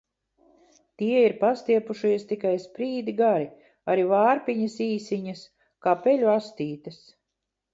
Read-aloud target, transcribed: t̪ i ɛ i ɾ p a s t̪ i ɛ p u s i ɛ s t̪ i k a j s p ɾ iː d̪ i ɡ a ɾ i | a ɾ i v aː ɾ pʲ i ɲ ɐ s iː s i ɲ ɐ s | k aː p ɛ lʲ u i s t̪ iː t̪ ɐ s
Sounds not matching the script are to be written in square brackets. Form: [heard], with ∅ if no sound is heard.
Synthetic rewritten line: t̪ i ɛ i ɾ p a s t̪ i ɛ p u [ʃ] i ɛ s t̪ i k a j s p ɾ iː d̪ i ɡ a ɾ i | a ɾ i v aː ɾ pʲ i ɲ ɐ s iː s i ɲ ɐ s | k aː p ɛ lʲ u [a] s t̪ iː t̪ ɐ s